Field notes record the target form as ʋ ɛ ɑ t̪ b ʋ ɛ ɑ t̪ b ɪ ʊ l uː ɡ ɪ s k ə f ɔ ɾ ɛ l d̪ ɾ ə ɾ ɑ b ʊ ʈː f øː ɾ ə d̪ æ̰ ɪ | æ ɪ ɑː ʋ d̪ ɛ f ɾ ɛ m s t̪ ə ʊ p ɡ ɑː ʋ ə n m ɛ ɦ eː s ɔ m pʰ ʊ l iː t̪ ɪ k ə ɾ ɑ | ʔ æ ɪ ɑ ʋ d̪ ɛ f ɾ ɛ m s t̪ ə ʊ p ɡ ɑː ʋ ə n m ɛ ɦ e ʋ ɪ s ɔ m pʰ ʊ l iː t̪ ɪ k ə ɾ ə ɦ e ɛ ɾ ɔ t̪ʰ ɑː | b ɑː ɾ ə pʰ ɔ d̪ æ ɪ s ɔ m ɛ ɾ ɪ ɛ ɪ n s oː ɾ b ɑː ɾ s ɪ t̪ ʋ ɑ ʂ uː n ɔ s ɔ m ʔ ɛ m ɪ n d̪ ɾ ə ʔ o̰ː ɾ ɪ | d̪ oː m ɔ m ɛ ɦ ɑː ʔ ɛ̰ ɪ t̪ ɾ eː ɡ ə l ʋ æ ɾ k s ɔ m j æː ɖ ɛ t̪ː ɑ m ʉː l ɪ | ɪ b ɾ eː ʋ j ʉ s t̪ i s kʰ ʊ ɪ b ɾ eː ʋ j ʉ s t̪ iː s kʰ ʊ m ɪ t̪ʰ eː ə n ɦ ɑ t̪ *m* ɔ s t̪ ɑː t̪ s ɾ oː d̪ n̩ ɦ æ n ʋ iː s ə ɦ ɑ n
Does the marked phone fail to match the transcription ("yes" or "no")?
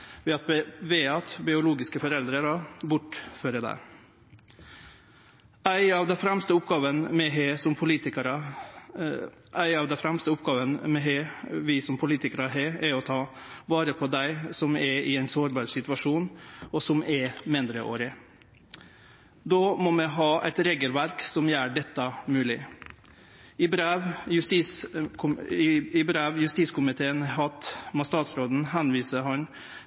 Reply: no